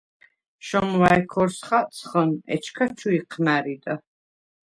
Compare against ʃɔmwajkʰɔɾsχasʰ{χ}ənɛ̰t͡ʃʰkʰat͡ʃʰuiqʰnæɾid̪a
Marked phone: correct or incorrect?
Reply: correct